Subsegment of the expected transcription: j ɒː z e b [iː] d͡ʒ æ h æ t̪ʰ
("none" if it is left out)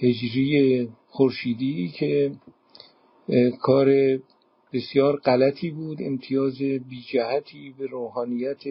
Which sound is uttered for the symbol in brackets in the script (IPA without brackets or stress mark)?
iː